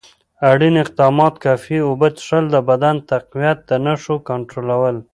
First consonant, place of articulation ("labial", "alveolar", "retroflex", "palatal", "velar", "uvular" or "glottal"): retroflex